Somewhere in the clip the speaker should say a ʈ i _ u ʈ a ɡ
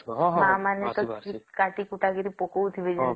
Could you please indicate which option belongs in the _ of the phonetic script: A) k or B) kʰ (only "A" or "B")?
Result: A